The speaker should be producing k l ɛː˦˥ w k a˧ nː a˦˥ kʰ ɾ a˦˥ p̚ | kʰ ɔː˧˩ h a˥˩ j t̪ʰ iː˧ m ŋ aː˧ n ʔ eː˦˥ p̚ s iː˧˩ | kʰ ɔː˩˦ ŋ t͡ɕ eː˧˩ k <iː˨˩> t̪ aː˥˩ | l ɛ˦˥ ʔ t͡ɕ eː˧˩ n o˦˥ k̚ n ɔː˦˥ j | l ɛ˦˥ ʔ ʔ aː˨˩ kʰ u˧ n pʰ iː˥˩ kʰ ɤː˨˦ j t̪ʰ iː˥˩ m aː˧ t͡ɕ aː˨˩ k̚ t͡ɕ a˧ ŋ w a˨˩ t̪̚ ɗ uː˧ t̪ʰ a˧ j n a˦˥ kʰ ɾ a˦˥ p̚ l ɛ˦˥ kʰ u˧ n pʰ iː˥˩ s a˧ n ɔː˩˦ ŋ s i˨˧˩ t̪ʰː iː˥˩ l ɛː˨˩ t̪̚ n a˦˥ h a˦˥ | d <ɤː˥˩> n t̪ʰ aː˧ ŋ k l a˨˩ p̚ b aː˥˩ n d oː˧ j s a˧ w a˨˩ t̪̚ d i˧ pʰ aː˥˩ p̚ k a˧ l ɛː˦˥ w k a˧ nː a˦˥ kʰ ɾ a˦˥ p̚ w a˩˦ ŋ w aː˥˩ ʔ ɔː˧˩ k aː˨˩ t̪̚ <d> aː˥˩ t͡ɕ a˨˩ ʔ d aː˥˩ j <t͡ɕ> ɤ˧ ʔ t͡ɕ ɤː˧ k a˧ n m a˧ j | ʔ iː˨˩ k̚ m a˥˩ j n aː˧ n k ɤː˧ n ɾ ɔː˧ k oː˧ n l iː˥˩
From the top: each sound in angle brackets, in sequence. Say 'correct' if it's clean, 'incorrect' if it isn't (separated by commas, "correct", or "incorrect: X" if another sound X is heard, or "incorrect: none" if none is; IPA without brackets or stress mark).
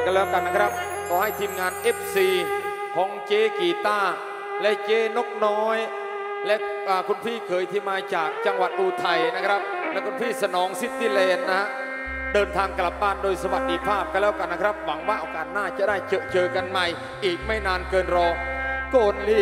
correct, incorrect: ɤː˧, incorrect: n, correct